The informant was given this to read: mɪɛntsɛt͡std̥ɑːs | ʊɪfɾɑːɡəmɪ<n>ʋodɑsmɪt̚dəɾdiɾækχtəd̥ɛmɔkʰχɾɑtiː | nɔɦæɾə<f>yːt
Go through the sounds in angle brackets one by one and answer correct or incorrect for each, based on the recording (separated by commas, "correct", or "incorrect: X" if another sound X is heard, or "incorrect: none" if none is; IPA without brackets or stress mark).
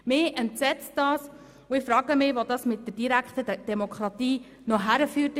incorrect: none, correct